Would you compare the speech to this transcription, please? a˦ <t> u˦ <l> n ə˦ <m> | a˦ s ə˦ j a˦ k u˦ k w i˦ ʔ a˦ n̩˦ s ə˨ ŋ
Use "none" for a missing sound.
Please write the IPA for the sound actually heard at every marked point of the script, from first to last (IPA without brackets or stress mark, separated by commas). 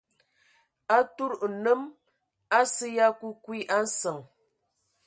t, ɾ, m